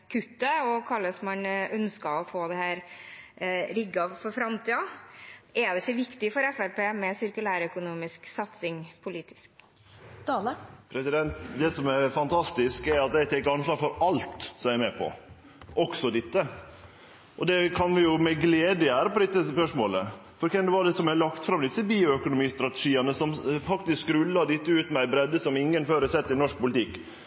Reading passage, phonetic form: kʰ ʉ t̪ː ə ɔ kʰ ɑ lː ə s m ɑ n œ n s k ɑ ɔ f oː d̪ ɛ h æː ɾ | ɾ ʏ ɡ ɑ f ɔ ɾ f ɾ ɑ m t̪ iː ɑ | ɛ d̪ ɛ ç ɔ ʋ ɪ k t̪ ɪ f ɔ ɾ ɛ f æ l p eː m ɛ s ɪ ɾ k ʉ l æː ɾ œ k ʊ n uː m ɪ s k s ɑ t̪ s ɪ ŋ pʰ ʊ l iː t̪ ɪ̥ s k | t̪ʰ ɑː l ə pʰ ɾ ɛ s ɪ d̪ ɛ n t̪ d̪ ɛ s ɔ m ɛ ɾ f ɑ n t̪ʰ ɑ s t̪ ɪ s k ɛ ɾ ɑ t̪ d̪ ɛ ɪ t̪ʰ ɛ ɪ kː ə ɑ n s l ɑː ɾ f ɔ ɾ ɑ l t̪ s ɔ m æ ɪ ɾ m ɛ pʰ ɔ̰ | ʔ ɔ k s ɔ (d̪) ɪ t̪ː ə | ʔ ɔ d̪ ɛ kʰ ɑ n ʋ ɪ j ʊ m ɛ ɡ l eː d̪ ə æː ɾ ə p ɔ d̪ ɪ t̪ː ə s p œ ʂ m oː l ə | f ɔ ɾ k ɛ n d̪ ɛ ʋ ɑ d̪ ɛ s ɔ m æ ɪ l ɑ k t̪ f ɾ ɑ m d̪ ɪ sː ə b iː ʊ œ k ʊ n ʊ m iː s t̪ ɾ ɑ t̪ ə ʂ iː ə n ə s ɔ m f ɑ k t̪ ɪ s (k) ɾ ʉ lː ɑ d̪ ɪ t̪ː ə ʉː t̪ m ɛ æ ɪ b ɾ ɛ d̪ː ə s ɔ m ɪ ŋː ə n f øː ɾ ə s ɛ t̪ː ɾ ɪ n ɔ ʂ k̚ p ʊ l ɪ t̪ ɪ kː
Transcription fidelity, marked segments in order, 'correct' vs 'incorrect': correct, correct

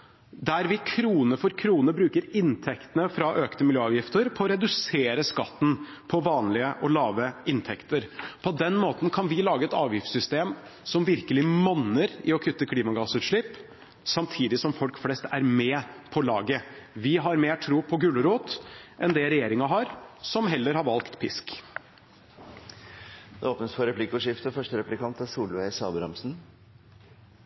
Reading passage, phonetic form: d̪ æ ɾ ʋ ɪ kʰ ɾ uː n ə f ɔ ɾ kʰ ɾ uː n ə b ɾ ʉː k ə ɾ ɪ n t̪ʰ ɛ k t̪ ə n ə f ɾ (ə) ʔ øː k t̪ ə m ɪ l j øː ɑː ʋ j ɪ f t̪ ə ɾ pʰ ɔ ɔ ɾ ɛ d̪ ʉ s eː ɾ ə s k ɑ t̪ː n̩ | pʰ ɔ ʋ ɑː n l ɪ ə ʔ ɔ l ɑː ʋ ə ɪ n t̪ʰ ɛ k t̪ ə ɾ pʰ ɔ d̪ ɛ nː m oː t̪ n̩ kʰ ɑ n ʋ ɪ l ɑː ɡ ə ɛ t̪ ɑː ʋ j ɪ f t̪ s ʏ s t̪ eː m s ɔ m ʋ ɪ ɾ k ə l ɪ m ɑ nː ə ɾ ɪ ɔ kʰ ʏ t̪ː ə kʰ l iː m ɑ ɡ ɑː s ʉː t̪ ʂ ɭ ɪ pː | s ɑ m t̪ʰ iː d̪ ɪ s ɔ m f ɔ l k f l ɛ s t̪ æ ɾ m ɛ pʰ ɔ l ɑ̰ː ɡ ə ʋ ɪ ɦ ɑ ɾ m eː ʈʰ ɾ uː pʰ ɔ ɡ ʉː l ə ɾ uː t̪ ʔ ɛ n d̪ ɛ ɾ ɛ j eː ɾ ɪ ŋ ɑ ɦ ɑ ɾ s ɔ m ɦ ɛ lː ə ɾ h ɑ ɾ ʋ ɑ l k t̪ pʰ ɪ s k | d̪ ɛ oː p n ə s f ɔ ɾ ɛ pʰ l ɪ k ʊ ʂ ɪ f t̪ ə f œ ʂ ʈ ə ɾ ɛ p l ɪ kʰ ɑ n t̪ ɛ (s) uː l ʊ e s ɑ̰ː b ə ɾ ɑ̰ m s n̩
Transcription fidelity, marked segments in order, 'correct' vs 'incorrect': incorrect: ɑ, correct

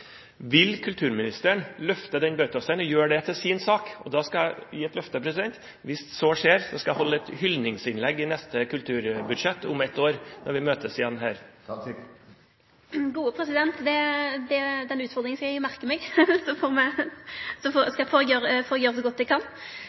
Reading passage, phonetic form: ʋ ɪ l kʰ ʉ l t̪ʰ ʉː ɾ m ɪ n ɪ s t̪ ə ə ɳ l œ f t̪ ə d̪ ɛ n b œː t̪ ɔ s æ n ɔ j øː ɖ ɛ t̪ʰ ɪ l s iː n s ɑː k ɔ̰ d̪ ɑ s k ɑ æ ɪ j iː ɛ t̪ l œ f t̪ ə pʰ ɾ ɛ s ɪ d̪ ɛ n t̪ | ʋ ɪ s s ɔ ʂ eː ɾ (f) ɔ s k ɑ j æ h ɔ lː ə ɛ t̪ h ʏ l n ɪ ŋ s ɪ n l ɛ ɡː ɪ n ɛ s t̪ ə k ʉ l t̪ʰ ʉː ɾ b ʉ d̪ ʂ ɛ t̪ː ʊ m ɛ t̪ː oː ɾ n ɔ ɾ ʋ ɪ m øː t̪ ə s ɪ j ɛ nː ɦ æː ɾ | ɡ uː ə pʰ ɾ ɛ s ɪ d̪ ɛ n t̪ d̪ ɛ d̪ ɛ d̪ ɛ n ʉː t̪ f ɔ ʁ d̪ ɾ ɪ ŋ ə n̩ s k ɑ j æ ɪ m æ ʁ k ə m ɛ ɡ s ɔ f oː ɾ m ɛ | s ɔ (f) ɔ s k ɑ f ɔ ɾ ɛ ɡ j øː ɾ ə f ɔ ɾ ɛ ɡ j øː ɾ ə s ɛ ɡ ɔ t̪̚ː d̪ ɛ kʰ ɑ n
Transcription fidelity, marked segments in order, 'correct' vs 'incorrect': incorrect: s, correct

